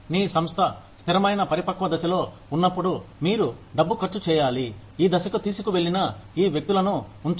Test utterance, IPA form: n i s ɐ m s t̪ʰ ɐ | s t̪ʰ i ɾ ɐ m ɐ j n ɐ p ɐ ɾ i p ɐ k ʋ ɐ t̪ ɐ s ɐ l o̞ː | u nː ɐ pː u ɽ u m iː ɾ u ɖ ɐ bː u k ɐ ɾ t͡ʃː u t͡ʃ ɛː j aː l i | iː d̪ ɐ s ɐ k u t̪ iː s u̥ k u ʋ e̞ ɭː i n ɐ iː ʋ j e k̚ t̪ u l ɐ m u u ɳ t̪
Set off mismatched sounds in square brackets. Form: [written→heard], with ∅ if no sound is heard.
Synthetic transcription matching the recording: n [i→iː] s ɐ m s t̪ʰ ɐ | s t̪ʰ i ɾ ɐ m ɐ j n ɐ p ɐ ɾ i p ɐ k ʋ ɐ [t̪→d̪] ɐ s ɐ l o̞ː | u nː ɐ pː u ɽ u m iː ɾ u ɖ ɐ bː u k ɐ ɾ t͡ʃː u t͡ʃ ɛː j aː l i | iː d̪ ɐ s ɐ k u t̪ iː s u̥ k u ʋ e̞ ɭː i n ɐ iː ʋ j e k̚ t̪ u l ɐ [m→n] u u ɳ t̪